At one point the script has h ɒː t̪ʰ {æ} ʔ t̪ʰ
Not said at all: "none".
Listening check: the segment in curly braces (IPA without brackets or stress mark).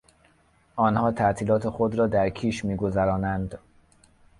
æ